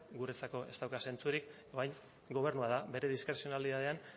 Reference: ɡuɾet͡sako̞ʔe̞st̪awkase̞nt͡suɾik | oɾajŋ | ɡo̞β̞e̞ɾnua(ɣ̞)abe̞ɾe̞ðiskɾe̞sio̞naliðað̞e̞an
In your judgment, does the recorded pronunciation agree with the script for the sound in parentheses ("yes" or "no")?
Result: no